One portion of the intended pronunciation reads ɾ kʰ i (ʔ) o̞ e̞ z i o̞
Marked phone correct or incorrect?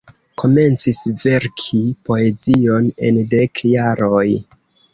incorrect